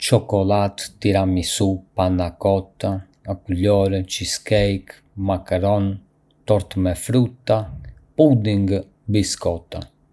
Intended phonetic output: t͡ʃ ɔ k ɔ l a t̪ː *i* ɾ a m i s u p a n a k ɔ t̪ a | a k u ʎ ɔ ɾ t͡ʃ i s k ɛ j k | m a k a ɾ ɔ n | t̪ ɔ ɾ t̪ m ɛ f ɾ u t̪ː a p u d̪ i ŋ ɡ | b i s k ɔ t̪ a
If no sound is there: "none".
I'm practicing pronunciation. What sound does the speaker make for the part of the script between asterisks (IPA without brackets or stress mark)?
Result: i